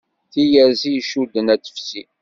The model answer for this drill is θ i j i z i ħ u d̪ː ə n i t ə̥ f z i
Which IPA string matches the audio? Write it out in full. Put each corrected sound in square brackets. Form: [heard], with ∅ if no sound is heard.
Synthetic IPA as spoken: θ i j [æ] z i [ʃ] u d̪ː ə n [æ] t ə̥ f [s] i